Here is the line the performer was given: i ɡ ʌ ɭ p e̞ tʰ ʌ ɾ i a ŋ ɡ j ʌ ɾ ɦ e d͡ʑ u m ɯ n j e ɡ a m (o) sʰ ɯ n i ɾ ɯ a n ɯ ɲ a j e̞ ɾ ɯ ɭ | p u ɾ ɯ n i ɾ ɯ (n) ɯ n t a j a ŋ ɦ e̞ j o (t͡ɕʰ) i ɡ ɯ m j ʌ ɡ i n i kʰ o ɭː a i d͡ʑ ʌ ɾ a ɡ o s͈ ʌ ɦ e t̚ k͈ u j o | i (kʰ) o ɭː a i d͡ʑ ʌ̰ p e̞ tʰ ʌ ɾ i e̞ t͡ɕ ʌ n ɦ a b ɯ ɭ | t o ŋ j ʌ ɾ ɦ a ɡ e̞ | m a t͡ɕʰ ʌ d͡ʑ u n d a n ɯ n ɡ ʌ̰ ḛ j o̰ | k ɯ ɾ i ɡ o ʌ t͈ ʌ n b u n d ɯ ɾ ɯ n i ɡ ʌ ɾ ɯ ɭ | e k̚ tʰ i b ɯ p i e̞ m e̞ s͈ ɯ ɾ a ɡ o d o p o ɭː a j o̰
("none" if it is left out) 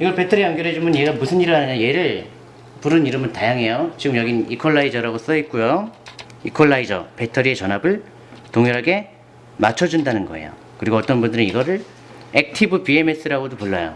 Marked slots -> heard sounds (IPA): u, m, t͡ɕ, kʰ

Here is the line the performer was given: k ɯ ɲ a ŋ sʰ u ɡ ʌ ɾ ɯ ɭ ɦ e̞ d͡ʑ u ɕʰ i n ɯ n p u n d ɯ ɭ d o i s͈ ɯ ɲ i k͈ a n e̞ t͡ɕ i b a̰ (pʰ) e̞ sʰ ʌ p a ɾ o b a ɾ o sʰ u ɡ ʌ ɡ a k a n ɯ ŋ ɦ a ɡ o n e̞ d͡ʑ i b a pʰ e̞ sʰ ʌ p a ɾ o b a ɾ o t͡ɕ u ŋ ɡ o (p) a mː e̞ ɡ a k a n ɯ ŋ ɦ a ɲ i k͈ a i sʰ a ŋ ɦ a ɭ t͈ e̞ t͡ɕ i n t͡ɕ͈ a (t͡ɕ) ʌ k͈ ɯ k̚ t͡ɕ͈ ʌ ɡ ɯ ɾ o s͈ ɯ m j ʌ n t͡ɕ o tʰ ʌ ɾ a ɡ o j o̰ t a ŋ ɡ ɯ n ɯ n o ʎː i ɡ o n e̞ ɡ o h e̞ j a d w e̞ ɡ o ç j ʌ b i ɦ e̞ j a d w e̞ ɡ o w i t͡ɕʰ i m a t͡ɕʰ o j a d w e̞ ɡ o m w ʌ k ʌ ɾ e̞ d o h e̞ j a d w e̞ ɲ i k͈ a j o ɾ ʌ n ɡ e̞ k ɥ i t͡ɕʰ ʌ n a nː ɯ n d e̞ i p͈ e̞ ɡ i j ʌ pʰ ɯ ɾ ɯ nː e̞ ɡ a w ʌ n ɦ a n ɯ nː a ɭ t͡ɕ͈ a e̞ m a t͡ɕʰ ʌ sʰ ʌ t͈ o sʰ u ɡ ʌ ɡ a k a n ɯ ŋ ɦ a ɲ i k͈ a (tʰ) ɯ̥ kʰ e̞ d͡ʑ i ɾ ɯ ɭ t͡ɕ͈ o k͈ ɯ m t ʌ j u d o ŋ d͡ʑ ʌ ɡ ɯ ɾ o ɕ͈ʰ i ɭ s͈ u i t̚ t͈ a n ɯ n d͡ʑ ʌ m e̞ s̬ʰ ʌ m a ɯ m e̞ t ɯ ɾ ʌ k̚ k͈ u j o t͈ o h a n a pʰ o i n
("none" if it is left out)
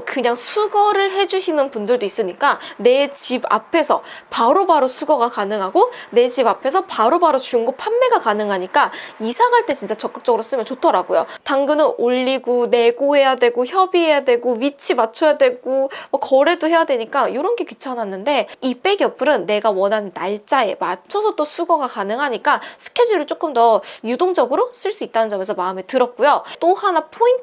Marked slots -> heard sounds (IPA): pʰ, pʰ, t͡ɕ, sʰ

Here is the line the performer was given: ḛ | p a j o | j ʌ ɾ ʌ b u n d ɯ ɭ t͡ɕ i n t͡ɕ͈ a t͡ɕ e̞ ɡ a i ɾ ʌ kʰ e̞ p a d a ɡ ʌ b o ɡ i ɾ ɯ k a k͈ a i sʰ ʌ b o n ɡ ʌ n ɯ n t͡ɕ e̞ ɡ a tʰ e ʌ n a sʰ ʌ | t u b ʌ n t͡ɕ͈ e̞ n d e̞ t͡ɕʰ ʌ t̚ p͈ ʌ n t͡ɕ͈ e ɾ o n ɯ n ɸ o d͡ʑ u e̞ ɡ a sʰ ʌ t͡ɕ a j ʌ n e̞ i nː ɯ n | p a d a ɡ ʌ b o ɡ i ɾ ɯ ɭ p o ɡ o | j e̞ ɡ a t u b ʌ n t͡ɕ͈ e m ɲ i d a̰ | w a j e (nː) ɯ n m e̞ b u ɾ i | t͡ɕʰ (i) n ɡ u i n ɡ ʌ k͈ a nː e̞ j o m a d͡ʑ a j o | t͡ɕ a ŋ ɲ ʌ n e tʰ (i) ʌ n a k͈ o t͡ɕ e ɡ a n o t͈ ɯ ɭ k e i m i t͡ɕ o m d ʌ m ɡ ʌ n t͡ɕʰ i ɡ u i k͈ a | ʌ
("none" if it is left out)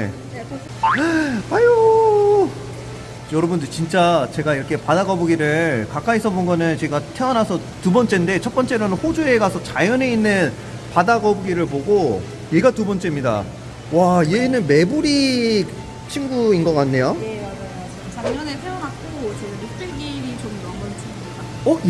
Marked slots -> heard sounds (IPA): n, i, e

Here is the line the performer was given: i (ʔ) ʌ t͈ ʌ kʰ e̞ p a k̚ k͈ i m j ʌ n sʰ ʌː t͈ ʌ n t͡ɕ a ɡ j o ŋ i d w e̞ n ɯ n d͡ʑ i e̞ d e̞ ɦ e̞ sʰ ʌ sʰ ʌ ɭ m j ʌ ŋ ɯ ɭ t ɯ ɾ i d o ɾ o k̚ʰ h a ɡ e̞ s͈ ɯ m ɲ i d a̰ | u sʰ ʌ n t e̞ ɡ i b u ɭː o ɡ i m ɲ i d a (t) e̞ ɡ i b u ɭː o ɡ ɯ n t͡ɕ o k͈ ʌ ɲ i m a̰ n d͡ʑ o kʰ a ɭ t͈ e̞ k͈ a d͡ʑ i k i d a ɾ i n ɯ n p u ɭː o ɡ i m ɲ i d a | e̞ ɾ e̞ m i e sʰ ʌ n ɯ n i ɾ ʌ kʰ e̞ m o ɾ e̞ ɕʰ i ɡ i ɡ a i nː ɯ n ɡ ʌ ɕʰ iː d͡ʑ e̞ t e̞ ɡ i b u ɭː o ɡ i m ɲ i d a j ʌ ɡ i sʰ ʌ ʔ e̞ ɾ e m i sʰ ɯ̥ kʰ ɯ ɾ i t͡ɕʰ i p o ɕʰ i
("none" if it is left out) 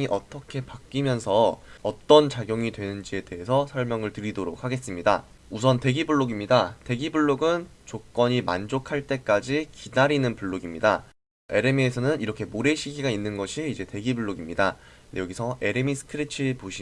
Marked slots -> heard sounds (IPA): ʔ, t

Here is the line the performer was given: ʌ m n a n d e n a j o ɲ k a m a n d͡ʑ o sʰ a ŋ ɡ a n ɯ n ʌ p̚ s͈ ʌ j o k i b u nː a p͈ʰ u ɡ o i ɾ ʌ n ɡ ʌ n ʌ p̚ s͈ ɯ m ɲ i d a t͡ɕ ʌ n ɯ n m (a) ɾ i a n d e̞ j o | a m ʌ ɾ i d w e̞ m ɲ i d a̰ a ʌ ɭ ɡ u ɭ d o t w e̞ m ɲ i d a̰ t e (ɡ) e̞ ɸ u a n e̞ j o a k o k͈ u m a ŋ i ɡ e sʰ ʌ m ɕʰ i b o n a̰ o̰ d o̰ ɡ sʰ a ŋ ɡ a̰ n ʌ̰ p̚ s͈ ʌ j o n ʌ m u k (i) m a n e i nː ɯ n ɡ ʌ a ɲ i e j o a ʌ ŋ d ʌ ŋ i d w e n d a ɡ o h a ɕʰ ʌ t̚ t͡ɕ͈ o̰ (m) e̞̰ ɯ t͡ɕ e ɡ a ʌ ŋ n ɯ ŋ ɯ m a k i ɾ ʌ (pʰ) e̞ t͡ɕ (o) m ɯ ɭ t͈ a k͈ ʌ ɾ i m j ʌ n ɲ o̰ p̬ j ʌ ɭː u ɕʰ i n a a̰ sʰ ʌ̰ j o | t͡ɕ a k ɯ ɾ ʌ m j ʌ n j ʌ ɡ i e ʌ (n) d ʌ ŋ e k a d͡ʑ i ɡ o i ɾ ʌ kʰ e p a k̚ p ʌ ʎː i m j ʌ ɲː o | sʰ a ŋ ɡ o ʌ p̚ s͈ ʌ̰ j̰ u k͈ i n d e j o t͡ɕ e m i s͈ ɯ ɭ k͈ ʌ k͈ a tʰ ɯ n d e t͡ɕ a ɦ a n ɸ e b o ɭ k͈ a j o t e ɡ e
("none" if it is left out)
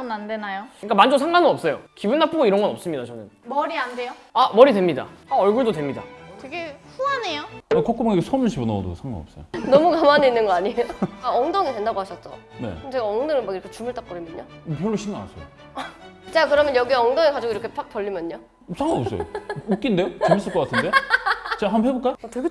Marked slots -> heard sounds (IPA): ʌ, ɡ, a, n, kʰ, u, ŋ

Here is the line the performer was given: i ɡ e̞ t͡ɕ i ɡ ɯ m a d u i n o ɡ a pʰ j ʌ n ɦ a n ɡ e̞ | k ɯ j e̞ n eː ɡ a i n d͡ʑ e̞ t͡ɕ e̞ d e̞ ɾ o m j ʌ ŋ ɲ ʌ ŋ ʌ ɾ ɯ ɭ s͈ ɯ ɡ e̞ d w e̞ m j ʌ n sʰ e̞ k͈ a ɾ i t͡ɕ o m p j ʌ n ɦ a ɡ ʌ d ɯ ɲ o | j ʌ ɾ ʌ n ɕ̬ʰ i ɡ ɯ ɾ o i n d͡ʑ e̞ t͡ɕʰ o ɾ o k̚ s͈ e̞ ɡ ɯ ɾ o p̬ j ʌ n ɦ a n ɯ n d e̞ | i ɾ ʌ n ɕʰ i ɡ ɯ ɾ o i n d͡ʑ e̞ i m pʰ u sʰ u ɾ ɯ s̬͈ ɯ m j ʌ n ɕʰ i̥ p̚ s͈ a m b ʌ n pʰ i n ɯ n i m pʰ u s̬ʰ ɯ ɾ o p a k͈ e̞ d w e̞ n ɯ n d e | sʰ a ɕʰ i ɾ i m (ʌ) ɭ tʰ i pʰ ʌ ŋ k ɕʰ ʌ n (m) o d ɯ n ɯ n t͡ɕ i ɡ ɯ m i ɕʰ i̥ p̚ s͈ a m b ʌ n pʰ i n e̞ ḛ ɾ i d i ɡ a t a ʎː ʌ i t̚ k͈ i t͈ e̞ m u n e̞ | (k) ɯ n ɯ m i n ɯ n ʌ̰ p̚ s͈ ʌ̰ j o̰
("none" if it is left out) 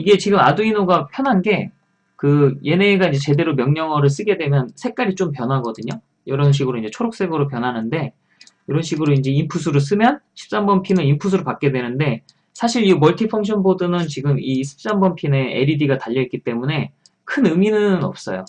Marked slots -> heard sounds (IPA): ʌ, b, kʰ

